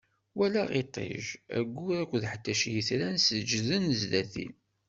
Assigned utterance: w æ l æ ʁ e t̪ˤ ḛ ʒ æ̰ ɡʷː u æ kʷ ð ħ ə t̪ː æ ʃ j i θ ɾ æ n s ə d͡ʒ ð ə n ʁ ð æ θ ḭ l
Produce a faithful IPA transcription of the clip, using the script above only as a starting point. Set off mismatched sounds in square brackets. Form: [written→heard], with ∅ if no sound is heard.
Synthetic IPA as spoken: w æ l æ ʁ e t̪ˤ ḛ ʒ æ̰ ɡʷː u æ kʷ ð ħ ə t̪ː æ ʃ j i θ ɾ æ n s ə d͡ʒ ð ə n [ʁ→z] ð æ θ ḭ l